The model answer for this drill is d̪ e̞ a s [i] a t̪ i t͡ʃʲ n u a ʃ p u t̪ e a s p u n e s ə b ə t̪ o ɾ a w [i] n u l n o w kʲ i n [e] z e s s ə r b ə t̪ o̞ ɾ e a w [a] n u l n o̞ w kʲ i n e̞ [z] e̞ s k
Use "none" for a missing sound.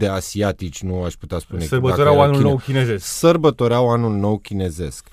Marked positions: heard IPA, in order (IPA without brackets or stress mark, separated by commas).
i, a, e, a, z